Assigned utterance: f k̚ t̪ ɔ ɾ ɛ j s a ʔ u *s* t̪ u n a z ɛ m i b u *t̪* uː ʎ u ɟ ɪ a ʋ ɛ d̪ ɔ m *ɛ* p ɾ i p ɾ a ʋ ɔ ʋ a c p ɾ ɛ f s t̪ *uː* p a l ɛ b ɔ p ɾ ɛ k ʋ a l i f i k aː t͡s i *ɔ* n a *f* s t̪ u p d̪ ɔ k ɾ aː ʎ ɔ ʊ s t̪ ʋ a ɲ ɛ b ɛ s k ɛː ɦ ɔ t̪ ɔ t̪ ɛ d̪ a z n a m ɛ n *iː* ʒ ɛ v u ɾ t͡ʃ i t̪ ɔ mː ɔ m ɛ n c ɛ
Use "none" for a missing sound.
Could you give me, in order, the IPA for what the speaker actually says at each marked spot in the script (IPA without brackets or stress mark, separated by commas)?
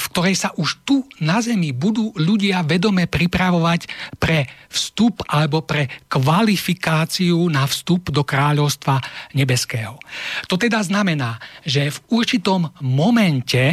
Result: ʃ, d̪, ɛ, u, u, f, aː